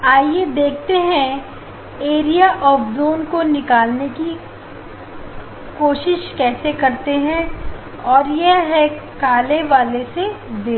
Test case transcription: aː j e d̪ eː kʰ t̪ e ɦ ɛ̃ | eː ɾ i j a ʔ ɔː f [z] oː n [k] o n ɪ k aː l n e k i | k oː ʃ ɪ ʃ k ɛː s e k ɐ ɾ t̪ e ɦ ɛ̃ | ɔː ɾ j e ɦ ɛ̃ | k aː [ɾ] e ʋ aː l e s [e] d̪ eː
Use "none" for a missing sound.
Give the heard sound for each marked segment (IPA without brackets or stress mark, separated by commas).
z, k, l, e